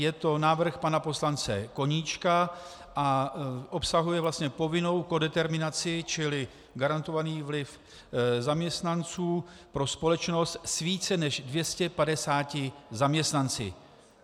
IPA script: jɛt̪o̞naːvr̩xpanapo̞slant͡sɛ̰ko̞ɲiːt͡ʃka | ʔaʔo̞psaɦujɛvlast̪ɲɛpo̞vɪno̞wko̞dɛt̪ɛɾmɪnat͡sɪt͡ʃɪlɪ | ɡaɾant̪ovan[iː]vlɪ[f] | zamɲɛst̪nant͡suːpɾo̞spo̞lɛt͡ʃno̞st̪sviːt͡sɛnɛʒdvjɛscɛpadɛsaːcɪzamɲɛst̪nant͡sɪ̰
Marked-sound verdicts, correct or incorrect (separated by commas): correct, correct